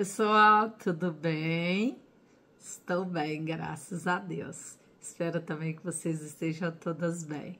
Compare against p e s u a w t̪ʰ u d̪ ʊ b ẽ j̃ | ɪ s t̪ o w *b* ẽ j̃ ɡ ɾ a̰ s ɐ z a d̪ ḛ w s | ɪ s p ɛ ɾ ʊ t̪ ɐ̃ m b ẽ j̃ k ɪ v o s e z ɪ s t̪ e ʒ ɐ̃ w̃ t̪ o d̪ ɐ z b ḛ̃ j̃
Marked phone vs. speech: correct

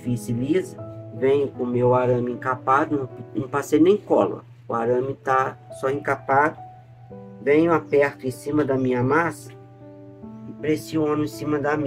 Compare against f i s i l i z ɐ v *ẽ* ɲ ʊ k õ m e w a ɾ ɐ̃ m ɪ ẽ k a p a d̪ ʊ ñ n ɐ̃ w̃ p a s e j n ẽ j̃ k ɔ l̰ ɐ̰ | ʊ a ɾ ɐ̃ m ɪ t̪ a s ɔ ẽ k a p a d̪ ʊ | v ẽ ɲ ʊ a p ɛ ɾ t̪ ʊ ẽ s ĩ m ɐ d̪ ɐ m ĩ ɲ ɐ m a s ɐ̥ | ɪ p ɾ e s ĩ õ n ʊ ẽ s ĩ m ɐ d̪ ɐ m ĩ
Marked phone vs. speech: correct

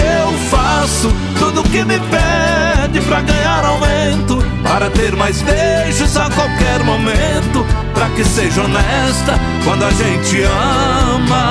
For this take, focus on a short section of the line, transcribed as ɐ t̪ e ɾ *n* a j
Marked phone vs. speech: incorrect: m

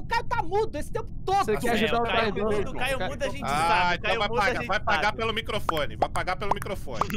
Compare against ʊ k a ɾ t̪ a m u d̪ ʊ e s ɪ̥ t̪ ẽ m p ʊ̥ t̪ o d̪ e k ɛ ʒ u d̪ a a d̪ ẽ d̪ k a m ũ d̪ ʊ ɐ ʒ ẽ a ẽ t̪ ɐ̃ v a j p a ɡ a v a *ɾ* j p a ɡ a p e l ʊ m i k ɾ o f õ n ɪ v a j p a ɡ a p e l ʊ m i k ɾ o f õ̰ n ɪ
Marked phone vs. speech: incorrect: none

